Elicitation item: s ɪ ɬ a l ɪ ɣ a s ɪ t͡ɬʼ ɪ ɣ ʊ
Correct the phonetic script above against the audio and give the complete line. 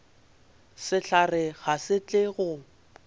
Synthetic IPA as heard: s ɪ ɬ a r ɪ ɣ a s ɪ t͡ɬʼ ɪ ɣ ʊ